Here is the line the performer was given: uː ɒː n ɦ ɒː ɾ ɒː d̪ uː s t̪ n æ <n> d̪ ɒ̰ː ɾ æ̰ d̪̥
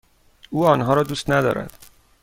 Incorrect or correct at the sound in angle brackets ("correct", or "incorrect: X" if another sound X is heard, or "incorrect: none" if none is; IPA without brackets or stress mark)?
incorrect: none